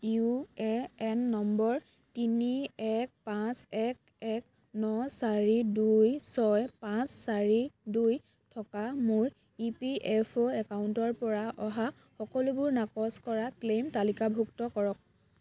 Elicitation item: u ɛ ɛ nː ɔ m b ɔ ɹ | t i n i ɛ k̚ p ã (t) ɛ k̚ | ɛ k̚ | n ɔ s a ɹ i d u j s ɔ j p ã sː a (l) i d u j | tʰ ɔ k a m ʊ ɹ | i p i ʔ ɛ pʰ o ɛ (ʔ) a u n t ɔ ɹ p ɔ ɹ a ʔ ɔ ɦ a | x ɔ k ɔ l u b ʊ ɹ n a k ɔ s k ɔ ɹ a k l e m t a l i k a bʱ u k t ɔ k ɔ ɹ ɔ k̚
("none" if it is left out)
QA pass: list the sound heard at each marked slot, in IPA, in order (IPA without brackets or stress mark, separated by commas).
s, ɹ, k